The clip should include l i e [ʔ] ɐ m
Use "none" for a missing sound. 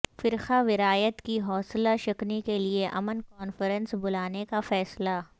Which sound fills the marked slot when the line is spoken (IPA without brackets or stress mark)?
ʔ